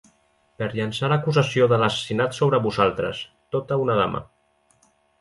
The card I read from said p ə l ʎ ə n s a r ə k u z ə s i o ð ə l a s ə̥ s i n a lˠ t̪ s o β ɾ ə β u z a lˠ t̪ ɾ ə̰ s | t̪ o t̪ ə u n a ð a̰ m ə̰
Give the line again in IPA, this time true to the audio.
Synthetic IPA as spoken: p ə ɾ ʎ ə n s a l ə k u z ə s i o ð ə l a s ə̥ s i n a t̪ s o β ɾ ə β u z a lˠ t̪ ɾ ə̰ s | t̪ o t̪ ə u n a ð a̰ m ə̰